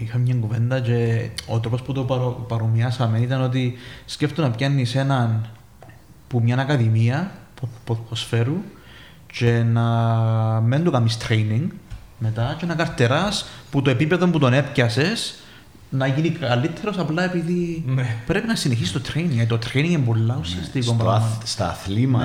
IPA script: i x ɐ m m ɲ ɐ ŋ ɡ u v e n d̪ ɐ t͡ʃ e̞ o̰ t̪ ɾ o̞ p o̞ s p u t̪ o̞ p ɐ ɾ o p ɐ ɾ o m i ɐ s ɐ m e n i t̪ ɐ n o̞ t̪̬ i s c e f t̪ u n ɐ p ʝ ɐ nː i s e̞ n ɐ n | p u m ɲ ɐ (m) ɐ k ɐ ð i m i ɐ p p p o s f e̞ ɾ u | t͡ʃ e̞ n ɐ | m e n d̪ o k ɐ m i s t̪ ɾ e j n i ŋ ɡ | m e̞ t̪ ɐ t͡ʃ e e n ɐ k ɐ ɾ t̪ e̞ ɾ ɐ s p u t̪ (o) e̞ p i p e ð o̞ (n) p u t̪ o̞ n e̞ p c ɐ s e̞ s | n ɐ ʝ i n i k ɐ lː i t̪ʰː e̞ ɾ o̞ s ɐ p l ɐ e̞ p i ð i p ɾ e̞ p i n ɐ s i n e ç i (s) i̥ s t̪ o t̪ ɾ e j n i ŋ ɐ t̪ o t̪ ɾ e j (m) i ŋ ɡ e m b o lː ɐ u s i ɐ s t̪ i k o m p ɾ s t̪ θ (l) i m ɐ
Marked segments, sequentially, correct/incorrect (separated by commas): incorrect, correct, incorrect, correct, incorrect, correct